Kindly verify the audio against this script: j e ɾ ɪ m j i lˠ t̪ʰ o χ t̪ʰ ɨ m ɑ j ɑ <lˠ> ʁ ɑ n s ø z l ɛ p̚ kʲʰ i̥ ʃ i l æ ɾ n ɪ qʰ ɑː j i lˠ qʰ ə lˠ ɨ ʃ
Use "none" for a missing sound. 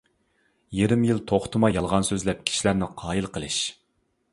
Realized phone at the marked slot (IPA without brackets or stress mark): lˠ